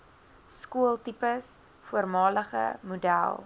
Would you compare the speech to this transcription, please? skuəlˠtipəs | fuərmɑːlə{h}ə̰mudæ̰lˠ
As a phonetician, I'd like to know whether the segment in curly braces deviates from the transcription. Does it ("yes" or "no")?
yes